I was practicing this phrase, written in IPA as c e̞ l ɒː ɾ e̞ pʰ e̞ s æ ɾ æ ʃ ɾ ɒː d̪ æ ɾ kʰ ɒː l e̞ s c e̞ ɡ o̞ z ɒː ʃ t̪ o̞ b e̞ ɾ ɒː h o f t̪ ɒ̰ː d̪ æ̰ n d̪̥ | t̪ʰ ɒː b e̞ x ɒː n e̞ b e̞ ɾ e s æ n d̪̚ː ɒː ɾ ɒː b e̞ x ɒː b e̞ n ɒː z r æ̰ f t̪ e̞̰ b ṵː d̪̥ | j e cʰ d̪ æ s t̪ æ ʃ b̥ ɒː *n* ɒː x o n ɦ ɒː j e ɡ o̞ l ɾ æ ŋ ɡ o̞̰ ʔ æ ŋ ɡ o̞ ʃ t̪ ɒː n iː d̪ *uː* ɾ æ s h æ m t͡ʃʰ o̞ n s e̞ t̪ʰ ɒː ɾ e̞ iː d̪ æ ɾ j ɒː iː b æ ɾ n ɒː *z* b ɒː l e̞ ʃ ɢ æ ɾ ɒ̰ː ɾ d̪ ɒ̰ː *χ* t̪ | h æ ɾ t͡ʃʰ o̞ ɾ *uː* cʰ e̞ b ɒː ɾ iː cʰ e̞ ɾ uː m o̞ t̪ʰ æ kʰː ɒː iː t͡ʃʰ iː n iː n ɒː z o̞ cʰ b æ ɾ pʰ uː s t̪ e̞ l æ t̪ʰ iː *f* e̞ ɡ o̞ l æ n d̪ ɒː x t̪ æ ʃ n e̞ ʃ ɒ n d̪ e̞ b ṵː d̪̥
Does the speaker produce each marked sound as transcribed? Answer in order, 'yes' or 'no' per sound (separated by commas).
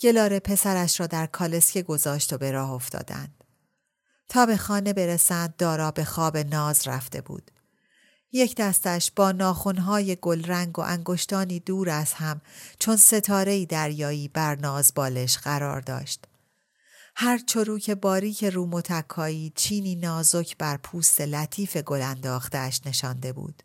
yes, yes, yes, no, yes, yes